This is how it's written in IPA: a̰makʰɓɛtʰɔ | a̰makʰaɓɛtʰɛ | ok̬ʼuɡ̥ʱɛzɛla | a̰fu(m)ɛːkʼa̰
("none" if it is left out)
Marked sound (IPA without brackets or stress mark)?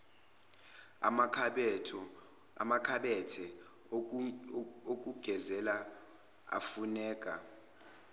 n